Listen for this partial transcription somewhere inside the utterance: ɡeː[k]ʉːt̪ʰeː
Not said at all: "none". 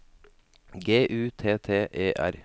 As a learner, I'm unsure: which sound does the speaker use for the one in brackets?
ʔ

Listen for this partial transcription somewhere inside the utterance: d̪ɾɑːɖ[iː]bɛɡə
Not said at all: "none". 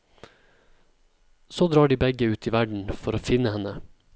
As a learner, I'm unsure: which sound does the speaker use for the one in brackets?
iː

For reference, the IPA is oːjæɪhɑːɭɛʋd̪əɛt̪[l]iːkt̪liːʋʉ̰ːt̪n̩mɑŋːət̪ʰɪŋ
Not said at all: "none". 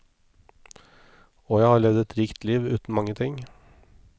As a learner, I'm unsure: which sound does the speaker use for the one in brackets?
ɾ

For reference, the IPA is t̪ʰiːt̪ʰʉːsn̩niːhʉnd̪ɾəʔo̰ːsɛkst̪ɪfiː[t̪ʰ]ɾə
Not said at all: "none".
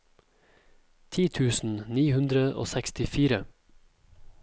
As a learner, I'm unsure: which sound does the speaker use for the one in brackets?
none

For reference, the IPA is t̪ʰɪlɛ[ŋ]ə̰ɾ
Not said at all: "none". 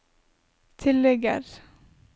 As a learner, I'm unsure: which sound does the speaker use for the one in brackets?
ɡ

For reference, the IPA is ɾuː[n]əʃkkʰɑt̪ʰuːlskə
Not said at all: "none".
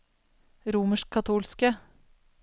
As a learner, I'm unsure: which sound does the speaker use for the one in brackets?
m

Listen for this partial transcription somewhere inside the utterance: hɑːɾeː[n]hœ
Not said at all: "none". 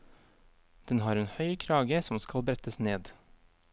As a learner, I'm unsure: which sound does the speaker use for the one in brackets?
n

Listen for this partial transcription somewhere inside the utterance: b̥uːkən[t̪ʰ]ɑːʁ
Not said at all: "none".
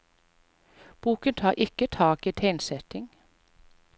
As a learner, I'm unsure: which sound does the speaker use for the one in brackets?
t̪ʰ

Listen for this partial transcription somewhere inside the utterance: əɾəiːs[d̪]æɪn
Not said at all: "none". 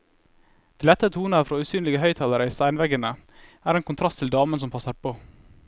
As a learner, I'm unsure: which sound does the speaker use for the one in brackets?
t̪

